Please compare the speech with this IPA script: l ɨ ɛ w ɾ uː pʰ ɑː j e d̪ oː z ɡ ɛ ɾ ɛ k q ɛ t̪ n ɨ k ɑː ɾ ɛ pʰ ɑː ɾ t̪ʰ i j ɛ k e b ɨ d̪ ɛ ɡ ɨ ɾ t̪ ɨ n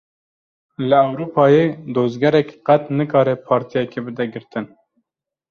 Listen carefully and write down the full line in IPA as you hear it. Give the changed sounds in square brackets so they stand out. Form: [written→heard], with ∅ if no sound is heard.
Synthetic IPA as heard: l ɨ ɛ w ɾ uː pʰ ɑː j e d̪ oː z ɡ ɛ ɾ ɛ k q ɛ t̪ n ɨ k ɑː ɾ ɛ pʰ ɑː ɾ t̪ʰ i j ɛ k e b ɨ d̪ ɛ ɡ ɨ ɾ t̪ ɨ n

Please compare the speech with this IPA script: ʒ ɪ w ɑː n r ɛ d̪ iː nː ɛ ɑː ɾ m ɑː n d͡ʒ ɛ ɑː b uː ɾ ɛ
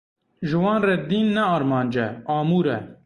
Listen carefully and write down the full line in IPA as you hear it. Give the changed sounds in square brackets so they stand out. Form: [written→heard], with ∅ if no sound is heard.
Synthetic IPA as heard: ʒ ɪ w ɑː n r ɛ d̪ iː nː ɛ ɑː ɾ m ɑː n d͡ʒ ɛ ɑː [b→m] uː ɾ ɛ

